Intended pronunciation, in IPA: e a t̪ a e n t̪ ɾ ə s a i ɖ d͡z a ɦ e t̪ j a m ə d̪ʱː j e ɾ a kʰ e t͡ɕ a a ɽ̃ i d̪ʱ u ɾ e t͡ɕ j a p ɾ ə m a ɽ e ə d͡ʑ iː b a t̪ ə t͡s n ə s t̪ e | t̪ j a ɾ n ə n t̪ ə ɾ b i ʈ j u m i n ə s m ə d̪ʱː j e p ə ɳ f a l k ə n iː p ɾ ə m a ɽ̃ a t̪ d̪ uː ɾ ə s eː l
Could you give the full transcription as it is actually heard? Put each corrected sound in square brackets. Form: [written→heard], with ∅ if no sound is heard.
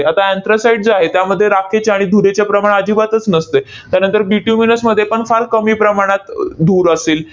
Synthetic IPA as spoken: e a t̪ a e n t̪ ɾ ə s a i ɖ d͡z a ɦ e t̪ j a m ə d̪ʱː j e ɾ a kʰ e t͡ɕ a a ɽ̃ i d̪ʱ u ɾ e t͡ɕ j a p ɾ ə m a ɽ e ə d͡ʑ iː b a t̪ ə t͡s n ə s t̪ e | t̪ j a ɾ n ə n t̪ ə ɾ b i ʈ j u m i n ə s m ə d̪ʱː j e p ə ɳ f a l k ə [n→m] iː p ɾ ə m a ɽ̃ a t̪ d̪ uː ɾ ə s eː l